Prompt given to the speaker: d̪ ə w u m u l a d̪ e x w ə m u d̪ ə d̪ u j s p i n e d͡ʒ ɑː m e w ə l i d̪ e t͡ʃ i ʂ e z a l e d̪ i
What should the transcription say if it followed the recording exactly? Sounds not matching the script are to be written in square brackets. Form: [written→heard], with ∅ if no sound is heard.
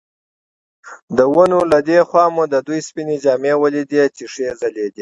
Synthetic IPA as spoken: d̪ ə w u [m→n] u l a d̪ e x w [ə→ɑ] m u d̪ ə d̪ u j s p i n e d͡ʒ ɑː m e w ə l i d̪ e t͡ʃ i ʂ e z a l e d̪ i